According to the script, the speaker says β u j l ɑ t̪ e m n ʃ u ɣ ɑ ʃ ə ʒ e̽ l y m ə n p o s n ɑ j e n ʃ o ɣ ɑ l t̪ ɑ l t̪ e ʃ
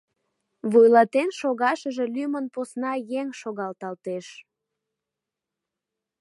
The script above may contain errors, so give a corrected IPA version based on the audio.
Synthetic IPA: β u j l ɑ t̪ e n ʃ o ɣ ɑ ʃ ə ʒ e̽ l y m ə n p o s n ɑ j e ŋ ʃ o ɣ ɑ l t̪ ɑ l t̪ e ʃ